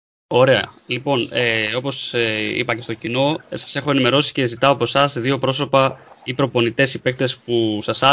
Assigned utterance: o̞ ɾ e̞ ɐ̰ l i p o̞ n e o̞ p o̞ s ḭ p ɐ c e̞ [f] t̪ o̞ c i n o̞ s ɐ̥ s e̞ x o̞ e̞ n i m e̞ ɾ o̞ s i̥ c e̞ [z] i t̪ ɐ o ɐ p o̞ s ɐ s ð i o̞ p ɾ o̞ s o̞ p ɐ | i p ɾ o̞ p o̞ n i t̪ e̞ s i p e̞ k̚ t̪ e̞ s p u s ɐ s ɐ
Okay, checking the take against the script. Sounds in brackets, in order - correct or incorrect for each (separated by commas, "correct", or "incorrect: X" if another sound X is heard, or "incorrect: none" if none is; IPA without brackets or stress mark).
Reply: incorrect: s, correct